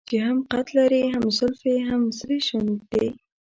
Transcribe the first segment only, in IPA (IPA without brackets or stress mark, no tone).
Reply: t͡ʃ